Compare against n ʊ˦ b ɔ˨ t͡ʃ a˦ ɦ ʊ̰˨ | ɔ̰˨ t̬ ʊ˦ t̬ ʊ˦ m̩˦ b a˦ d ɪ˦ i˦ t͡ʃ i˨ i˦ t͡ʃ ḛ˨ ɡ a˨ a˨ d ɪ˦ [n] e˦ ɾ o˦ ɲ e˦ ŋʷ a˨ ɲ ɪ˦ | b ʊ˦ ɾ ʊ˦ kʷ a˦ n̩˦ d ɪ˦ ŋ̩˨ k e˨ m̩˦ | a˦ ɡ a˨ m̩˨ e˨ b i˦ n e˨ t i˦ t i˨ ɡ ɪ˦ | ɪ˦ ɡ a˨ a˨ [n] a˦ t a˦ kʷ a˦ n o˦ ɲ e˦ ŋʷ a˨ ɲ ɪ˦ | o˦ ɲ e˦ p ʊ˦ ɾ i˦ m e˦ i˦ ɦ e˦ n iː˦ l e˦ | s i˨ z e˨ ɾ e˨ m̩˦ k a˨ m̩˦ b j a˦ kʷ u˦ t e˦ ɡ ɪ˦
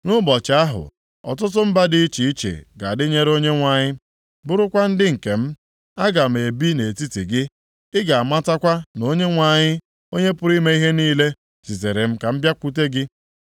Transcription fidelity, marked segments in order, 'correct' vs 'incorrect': incorrect, incorrect

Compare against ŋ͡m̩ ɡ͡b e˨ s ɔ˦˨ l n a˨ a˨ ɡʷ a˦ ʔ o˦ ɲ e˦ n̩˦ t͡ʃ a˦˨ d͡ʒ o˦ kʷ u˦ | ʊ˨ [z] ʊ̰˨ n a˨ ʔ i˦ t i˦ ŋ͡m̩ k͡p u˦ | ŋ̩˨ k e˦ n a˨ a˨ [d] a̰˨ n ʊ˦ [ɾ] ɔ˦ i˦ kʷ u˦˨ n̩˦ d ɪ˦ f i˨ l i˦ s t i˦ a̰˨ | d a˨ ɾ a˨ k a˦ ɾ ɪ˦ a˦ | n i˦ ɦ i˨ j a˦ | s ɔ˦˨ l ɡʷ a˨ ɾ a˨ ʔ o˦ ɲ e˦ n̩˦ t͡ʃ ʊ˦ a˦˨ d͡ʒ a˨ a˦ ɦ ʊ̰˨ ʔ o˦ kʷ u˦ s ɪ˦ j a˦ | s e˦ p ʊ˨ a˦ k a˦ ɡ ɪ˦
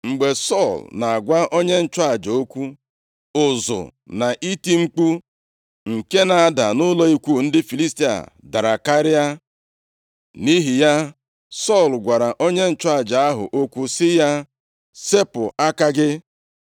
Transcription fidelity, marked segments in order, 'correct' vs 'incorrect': correct, correct, incorrect

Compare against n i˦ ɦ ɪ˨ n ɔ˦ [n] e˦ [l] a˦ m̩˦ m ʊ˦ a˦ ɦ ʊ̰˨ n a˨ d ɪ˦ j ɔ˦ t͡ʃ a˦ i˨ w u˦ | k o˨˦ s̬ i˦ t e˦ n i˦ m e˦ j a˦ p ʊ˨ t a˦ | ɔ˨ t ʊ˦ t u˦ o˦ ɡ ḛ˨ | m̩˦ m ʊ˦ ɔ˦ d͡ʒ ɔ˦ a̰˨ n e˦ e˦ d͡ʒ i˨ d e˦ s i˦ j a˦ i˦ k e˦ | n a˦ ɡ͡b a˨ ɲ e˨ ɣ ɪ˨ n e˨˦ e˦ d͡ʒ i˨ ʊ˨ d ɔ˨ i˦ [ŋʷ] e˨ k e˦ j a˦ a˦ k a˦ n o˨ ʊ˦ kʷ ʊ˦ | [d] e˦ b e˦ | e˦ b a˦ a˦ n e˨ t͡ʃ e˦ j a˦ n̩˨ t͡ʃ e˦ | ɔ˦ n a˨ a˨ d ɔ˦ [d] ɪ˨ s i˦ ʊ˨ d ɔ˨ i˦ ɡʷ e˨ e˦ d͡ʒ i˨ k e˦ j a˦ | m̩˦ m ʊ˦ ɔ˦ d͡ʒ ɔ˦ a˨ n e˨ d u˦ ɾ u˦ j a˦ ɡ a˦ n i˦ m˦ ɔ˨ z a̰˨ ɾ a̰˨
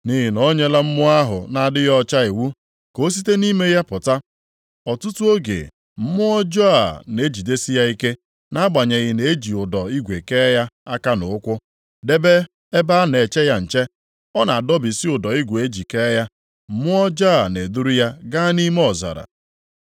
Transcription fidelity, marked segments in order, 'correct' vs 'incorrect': incorrect, correct, incorrect, correct, incorrect

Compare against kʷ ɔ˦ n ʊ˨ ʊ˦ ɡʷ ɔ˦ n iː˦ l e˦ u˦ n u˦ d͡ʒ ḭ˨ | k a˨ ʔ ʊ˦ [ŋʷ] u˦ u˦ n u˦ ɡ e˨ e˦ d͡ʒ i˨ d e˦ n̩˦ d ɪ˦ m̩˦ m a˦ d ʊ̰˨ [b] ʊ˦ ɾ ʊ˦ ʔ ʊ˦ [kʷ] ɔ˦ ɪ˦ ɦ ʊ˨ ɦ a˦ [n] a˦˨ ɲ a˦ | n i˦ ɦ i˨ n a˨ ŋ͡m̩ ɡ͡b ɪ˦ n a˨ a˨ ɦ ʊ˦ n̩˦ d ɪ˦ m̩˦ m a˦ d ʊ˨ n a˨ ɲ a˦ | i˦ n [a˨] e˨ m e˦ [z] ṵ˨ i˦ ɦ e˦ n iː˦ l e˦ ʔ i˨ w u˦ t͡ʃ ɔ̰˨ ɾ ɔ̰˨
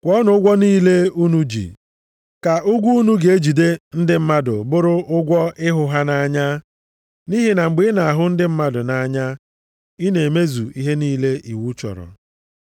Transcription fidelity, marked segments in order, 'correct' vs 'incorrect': incorrect, correct, incorrect, correct, incorrect, correct

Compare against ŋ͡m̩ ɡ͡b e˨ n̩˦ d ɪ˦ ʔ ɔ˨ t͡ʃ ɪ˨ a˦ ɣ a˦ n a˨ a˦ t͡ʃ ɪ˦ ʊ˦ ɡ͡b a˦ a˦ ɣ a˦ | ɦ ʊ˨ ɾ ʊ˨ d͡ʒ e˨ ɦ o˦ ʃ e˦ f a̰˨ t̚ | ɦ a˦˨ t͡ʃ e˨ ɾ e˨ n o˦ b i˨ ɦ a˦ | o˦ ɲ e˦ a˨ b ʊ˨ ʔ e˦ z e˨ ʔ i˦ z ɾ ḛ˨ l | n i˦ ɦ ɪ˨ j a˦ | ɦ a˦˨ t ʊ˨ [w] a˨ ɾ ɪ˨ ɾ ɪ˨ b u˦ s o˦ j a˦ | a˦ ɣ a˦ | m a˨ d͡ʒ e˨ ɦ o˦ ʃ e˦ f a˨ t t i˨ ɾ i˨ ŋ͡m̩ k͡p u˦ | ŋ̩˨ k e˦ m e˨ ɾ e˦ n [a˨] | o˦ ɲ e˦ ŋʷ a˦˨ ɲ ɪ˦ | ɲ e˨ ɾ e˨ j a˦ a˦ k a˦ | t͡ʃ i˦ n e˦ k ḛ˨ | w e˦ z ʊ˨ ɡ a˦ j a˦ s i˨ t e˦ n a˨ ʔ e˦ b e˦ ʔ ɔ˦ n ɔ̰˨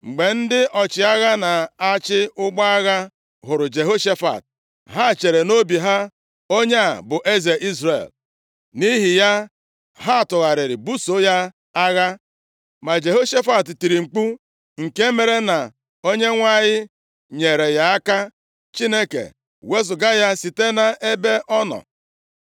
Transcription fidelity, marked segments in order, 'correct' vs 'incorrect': incorrect, correct

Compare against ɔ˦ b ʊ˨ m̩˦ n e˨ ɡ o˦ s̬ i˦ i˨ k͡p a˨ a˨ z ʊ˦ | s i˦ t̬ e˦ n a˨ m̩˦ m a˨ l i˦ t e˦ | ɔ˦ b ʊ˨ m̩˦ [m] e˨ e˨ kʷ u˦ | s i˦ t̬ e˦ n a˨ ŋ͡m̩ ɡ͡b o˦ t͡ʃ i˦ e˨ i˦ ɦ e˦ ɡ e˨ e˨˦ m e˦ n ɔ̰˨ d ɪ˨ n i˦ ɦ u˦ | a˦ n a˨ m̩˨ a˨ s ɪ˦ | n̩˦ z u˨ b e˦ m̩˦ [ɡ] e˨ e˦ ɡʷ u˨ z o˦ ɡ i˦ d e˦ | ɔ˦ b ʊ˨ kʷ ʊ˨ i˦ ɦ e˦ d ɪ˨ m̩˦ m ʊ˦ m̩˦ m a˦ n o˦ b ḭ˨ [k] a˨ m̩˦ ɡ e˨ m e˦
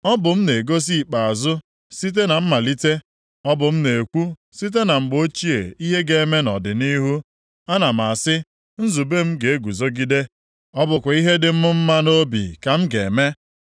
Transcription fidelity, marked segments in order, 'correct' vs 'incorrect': incorrect, correct, correct

